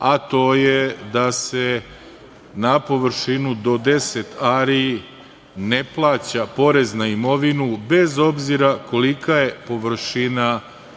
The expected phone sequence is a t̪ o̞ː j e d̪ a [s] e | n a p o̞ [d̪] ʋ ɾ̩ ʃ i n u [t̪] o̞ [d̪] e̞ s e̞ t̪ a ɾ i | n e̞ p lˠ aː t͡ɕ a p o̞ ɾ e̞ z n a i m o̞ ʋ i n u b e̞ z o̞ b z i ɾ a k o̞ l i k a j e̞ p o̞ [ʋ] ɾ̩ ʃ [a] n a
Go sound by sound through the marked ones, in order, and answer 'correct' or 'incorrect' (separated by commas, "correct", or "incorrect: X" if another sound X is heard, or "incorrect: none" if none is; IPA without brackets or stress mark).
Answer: correct, incorrect: none, incorrect: d̪, correct, correct, incorrect: i